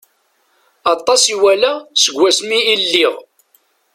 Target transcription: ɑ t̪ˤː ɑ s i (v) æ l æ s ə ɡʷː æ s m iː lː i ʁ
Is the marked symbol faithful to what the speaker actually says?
no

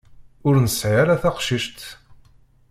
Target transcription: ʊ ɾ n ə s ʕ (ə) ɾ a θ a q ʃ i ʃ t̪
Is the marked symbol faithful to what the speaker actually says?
no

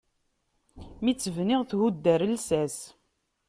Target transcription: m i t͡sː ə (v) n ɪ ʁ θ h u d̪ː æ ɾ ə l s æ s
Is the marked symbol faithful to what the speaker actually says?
yes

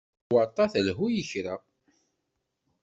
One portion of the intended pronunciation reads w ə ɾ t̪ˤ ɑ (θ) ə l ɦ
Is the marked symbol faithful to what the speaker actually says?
yes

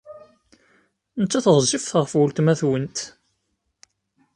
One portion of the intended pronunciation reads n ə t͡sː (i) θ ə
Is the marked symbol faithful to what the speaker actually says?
no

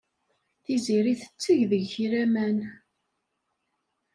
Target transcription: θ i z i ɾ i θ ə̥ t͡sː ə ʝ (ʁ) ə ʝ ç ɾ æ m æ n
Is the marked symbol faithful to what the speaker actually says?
no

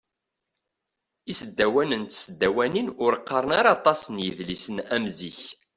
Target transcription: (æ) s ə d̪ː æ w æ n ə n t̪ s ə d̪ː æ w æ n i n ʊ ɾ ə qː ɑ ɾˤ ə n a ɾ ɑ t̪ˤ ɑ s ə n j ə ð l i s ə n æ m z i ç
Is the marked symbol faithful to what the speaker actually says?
no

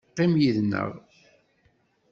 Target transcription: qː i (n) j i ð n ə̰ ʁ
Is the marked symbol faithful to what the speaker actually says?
no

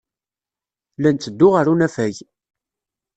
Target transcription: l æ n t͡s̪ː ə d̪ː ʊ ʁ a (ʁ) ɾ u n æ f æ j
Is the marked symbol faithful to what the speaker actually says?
no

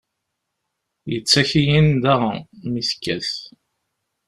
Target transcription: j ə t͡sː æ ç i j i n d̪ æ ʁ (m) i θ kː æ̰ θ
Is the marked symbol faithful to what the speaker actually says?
yes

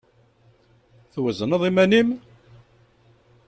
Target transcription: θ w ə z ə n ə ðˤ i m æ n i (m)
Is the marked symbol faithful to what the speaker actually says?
yes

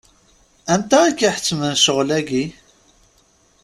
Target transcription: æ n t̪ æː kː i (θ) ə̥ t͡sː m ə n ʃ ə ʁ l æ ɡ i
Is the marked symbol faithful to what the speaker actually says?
no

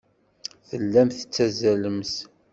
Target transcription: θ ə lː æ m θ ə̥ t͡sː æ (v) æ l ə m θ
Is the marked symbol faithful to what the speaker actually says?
no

